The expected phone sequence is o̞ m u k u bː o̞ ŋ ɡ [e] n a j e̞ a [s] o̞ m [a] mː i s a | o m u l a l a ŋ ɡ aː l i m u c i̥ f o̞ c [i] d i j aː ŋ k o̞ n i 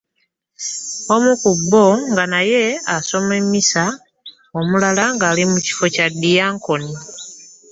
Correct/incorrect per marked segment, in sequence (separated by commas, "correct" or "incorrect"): incorrect, correct, incorrect, incorrect